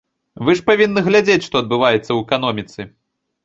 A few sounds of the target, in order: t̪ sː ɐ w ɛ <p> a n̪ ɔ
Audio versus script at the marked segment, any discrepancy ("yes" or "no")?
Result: yes